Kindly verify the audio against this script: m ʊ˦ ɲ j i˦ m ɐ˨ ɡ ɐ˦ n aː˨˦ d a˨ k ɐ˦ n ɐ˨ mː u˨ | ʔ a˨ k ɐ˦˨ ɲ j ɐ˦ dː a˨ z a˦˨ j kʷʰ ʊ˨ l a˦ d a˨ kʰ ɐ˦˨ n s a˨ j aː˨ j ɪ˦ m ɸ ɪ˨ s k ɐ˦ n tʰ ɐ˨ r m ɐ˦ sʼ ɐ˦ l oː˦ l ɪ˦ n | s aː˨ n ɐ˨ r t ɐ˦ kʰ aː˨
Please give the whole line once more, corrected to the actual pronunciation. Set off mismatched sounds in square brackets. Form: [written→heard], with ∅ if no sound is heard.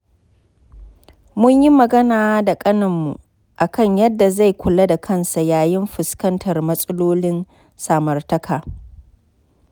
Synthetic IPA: m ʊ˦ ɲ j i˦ m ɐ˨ ɡ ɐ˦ n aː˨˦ d a˨ [k→kʼ] ɐ˦ n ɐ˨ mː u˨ | ʔ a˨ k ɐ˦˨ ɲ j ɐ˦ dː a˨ z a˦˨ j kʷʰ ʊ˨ l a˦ d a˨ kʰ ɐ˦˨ n s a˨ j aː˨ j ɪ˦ m ɸ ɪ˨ s k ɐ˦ n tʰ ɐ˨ r m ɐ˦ sʼ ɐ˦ l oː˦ l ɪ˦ n | s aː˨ [n→m] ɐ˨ r t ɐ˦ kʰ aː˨